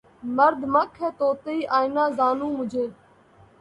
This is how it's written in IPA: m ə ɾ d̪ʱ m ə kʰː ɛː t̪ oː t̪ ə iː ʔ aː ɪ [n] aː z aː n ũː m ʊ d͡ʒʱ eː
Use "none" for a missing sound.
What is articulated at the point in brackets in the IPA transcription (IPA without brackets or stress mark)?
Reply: n